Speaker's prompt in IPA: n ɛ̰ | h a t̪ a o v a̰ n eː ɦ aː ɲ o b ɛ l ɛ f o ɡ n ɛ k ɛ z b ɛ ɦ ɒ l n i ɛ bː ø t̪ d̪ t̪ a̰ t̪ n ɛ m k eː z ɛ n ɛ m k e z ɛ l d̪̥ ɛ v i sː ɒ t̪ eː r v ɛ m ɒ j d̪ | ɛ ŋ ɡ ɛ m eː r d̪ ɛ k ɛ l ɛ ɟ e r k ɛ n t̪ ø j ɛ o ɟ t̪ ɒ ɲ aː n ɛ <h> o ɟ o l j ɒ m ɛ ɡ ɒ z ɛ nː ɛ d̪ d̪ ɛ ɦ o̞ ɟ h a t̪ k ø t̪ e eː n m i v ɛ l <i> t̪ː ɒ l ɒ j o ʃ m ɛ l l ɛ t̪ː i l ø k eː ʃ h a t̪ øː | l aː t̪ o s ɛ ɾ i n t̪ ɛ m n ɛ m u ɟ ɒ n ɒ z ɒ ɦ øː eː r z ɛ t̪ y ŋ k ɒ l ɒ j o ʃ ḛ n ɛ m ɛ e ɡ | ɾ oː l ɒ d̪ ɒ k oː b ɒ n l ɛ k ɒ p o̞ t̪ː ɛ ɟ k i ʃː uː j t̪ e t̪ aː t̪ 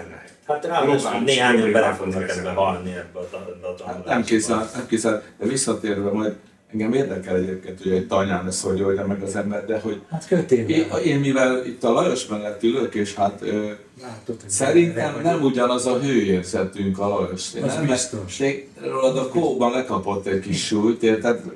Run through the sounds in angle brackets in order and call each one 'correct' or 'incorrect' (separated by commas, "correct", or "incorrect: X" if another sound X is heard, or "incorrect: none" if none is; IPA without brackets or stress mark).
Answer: incorrect: s, correct